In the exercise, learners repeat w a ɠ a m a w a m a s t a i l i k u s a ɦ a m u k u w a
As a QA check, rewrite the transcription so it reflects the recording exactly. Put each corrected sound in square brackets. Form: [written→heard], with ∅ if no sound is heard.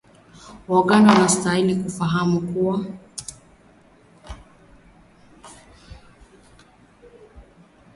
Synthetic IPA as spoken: w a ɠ a [m→n] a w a [m→n] a s t a i l i k u [s→f] a ɦ a m u k u w a